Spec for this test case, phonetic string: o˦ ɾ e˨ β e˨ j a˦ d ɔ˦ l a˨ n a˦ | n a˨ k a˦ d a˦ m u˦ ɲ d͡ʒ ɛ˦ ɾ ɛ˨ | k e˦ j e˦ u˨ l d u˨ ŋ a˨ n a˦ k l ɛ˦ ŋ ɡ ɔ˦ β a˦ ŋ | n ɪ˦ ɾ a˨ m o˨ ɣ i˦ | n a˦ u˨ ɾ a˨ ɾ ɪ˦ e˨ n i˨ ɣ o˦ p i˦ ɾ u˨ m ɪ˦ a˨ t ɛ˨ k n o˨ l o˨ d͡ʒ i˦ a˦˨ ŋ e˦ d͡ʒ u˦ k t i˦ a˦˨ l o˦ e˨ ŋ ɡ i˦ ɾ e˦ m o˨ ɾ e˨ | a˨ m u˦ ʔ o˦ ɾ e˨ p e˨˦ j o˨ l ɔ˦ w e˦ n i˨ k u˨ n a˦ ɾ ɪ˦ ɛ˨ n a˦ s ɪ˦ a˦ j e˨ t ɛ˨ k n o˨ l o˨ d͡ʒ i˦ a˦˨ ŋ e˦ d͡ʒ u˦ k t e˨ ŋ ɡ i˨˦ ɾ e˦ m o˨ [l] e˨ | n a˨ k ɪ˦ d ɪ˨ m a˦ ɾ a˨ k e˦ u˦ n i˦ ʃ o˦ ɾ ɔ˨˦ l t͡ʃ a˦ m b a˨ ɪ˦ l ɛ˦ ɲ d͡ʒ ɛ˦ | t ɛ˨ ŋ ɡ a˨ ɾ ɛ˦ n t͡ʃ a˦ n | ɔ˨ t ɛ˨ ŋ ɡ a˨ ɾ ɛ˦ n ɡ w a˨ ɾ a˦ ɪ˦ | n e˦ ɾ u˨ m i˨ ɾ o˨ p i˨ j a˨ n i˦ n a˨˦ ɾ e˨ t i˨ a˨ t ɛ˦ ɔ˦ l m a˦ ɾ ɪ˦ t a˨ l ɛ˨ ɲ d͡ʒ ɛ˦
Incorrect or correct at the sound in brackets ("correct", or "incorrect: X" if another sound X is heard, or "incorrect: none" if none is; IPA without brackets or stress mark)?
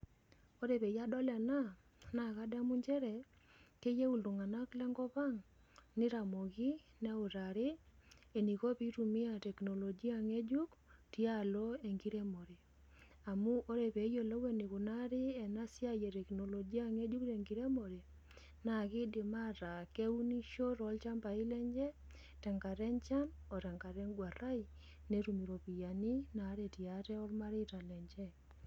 incorrect: ɾ